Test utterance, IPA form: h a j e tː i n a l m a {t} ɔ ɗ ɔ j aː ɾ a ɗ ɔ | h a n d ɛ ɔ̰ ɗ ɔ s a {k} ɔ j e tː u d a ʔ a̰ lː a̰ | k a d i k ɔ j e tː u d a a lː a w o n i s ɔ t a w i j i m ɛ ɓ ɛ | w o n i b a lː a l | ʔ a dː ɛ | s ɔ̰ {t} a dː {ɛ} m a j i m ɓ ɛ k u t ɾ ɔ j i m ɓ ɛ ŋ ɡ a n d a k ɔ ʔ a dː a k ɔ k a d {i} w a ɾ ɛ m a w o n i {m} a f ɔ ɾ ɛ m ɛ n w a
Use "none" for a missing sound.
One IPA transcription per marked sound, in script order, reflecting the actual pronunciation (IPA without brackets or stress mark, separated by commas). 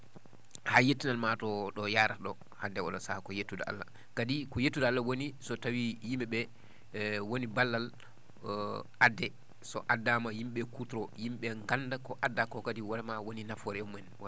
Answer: t, k, ʔ, a, i, n